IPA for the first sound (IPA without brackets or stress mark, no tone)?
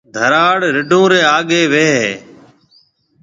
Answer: d̪ʱ